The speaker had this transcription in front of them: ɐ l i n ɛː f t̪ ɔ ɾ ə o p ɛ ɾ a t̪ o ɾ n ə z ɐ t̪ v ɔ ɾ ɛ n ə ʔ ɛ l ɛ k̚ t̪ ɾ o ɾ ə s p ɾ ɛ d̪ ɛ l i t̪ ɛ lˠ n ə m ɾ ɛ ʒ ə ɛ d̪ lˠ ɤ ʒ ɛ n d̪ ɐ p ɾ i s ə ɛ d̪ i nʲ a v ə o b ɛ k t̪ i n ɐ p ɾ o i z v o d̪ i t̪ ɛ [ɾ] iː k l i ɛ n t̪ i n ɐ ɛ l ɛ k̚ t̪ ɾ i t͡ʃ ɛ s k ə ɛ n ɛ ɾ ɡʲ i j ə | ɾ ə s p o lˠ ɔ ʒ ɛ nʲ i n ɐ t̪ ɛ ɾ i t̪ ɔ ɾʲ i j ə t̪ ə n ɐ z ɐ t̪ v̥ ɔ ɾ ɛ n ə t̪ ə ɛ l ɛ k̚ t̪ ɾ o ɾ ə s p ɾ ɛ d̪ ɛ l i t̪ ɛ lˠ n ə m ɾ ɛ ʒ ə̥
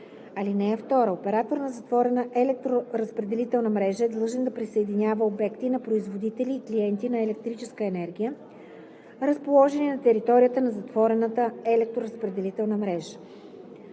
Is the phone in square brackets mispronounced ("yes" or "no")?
yes